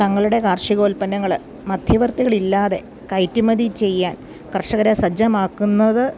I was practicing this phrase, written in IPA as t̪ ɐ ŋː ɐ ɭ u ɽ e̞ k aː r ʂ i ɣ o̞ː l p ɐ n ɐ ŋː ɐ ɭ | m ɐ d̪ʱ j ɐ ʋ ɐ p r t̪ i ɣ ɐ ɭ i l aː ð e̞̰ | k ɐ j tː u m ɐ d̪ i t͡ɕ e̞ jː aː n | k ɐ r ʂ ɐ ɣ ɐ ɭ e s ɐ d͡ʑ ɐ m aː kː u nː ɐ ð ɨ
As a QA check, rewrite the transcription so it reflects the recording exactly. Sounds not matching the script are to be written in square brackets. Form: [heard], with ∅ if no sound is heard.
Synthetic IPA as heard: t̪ ɐ ŋː ɐ ɭ u ɽ e̞ k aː r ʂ i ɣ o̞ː l p ɐ n ɐ ŋː ɐ ɭ | m ɐ d̪ʱ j ɐ ʋ ɐ [∅] r t̪ i ɣ ɐ ɭ i [lː] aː ð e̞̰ | k ɐ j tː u m ɐ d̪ i t͡ɕ e̞ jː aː n | k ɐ r ʂ ɐ ɣ ɐ [ɾ] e s ɐ d͡ʑ ɐ m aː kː u nː ɐ ð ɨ